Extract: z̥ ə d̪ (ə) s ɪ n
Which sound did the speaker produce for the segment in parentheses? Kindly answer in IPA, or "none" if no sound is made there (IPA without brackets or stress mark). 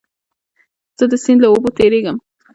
ə